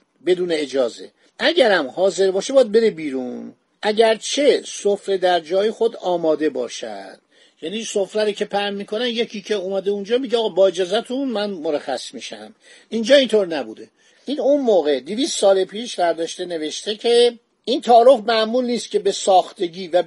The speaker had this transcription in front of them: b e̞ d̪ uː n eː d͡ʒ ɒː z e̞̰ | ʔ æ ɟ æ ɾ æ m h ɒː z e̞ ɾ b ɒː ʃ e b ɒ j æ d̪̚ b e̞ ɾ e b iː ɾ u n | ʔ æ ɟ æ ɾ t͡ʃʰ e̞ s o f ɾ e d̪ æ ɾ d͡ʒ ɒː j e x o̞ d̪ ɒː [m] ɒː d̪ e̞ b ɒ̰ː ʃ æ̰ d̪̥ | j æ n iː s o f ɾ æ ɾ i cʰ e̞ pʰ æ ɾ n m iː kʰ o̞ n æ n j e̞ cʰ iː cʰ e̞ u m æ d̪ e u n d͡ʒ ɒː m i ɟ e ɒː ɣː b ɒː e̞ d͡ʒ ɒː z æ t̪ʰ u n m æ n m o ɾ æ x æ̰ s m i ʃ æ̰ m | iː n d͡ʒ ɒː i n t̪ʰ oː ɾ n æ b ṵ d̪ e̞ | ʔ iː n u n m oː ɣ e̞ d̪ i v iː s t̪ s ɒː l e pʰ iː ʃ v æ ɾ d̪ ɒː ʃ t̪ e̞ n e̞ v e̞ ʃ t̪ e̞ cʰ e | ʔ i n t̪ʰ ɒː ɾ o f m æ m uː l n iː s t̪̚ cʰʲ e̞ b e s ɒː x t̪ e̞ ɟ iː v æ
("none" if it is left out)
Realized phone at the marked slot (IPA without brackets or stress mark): m